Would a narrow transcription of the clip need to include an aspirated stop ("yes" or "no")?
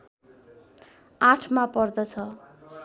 yes